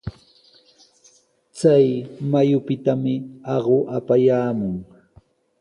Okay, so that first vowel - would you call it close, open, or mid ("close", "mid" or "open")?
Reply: open